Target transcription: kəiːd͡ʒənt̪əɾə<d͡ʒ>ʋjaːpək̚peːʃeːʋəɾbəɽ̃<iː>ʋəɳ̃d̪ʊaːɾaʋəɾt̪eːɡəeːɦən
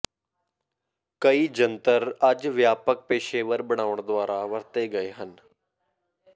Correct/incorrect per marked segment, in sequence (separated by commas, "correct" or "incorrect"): correct, incorrect